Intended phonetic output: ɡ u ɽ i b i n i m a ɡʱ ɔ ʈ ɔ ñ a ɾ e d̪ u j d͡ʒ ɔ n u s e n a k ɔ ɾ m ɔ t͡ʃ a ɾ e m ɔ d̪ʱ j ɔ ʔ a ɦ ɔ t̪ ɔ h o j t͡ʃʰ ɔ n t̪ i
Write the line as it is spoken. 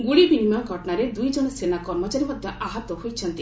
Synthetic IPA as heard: ɡ u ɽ i b i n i m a ɡʱ ɔ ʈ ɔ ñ a ɾ e d̪ u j d͡ʒ ɔ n ɔ s e n a k ɔ ɾ m ɔ t͡ʃ a ɾ i m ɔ d̪ʱ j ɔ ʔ a ɦ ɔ t̪ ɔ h o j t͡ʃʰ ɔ n t̪ i

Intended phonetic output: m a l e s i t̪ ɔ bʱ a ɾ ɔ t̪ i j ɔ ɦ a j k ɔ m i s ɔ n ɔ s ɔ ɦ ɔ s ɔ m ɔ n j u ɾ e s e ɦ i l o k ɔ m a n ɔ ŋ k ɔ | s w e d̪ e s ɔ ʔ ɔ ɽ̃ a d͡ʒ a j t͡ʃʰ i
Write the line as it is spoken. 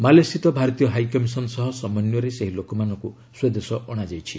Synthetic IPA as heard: m a l e s i t̪ ɔ bʱ a ɾ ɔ t̪ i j ɔ ɦ a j k ɔ m i s ɔ n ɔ s ɔ ɦ ɔ s ɔ m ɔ n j ɔ ɾ e s e ɦ i l o k ɔ m a n ɔ ŋ k u | s w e d̪ e s ɔ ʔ ɔ ɽ̃ a d͡ʒ a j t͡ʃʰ i

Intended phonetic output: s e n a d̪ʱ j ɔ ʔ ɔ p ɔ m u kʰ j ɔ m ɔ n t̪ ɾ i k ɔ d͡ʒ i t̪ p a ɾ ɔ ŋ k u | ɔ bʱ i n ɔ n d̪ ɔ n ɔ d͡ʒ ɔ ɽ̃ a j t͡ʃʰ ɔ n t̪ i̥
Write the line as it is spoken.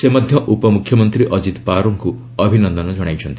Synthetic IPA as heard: s e m a d̪ʱ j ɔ ʔ u p ɔ m u kʰ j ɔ m ɔ n t̪ ɾ i ʔ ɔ d͡ʒ i t̪ p a ɾ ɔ ŋ k u | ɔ bʱ i n ɔ n d̪ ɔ n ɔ d͡ʒ ɔ ɽ̃ a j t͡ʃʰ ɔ n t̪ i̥

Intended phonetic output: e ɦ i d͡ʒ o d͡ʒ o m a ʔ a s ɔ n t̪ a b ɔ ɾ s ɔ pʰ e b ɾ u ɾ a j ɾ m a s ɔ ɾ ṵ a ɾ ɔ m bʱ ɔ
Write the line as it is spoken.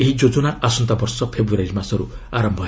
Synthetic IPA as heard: e ɦ i d͡ʒ o d͡ʒ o n a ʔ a s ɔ n t̪ a b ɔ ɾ s ɔ pʰ e b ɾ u ɾ a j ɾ m a s ɔ ɾ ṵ a ɾ ɔ m bʱ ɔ

